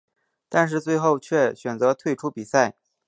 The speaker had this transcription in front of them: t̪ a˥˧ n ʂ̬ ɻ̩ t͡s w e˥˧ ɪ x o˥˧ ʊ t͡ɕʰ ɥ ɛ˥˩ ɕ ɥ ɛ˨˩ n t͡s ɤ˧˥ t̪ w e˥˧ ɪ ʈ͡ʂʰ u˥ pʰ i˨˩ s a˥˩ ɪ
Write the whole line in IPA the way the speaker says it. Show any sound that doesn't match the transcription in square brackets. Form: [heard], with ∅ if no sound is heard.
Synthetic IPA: t̪ a˥˧ n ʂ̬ ɻ̩ t͡s w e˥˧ ɪ x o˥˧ ʊ t͡ɕʰ ɥ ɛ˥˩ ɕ ɥ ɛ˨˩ n t͡s ɤ˧˥ [t̪ʰ] w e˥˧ ɪ ʈ͡ʂʰ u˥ [p] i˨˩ s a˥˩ ɪ